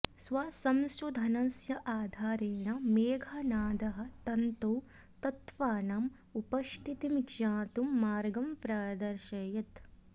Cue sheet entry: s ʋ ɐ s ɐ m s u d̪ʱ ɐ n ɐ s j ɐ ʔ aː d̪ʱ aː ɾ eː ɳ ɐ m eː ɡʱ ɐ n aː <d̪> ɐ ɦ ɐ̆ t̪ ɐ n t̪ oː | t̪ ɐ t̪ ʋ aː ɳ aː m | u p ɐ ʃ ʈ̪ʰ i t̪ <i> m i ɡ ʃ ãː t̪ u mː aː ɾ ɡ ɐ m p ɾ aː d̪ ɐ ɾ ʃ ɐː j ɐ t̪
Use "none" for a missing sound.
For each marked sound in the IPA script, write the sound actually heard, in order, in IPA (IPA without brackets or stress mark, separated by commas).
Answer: d̪, i